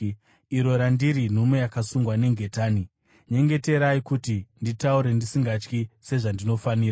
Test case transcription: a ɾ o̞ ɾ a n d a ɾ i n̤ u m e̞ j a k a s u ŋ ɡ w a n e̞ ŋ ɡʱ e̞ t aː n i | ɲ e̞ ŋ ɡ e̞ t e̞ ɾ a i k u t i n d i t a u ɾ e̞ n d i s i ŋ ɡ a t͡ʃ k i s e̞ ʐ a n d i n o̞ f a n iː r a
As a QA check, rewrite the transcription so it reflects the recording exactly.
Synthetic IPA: i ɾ o̞ ɾ a n d i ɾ i n̤ u m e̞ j a k a s u ŋ ɡ w a n e̞ ŋ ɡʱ e̞ t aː n i | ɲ e̞ ŋ ɡ e̞ t e̞ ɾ a i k u t i n d i t a u ɾ e̞ n d i s i ŋ ɡ a t͡ʃ k i s e̞ ʐ a n d i n o̞ f a n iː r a